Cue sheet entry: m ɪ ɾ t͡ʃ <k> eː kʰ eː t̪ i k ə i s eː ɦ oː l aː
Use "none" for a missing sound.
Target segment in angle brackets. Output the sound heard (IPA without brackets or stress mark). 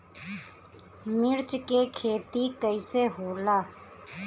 k